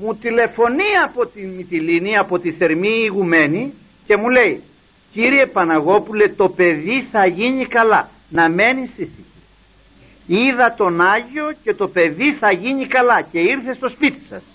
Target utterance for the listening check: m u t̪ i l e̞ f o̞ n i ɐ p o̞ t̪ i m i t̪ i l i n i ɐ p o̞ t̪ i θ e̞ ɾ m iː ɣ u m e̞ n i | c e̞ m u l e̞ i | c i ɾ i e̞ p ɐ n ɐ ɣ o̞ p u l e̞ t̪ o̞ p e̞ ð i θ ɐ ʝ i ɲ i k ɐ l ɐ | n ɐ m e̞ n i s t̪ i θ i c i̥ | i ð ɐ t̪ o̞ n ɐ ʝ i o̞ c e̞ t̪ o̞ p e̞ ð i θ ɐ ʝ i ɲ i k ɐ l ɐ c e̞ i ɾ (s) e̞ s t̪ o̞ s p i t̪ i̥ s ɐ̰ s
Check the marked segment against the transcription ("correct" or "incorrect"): incorrect